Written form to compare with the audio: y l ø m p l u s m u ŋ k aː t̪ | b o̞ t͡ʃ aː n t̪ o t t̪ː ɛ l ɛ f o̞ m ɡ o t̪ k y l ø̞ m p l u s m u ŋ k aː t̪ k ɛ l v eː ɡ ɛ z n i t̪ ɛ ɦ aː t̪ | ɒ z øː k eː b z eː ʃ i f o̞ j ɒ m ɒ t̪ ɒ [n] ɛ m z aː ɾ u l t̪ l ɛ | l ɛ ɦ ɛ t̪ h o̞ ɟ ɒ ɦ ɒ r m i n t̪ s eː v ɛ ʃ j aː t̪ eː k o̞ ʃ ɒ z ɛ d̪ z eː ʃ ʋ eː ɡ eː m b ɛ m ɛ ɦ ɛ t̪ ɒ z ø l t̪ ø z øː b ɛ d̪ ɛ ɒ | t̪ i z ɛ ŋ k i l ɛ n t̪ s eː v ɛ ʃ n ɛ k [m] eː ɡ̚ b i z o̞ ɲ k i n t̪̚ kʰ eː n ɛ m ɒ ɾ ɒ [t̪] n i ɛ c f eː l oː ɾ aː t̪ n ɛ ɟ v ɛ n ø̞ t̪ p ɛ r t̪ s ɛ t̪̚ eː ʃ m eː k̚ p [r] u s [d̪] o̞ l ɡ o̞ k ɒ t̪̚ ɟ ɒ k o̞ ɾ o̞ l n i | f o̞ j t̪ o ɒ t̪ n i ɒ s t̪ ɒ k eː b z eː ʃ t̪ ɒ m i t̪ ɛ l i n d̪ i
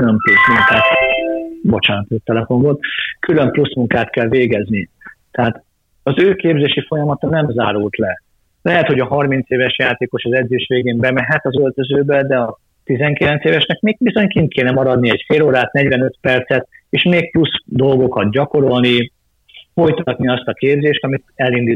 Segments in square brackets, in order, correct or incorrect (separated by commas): correct, correct, incorrect, incorrect, correct